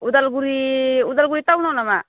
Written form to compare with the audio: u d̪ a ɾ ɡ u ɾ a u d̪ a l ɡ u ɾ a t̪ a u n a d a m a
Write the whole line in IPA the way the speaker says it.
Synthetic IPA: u d̪ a l ɡ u ɾ i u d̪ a l ɡ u ɾ i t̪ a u n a n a m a